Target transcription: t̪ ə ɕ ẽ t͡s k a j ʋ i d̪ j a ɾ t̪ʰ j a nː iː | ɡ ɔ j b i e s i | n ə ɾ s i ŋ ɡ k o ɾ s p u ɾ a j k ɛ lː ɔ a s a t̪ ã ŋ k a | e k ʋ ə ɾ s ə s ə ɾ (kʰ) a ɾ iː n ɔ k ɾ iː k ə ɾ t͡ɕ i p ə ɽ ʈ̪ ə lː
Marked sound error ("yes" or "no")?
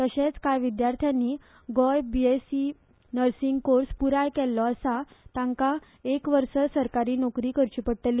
yes